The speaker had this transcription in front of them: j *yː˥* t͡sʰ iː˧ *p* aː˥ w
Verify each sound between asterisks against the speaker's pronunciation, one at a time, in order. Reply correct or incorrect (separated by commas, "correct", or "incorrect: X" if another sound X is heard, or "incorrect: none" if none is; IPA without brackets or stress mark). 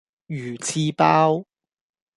incorrect: yː˨˩, correct